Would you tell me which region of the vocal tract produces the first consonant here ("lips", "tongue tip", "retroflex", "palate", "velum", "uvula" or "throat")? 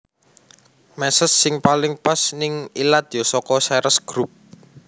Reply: lips